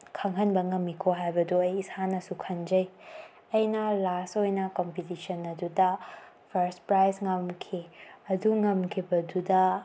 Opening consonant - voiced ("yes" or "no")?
no